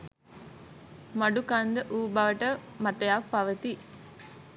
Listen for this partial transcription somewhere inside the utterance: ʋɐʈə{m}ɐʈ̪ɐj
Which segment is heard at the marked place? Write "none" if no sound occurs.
m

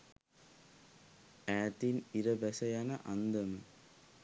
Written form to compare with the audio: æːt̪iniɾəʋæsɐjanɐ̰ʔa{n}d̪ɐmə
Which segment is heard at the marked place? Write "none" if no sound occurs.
n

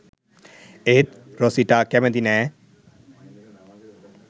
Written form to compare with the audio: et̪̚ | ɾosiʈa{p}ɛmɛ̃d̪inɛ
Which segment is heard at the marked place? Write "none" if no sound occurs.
k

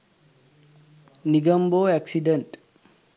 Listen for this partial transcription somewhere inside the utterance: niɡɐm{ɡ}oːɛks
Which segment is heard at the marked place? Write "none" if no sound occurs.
b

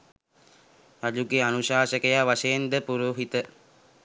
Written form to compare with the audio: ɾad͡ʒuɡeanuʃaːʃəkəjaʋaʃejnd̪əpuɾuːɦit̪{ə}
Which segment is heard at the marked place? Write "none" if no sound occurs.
ə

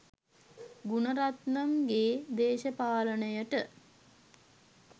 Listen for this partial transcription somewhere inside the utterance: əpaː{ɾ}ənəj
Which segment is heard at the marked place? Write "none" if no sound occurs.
l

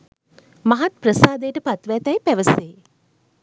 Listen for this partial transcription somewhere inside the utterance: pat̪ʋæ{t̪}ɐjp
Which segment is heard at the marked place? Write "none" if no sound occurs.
t̪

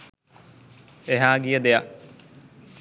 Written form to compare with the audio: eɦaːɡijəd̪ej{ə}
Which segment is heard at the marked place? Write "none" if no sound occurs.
a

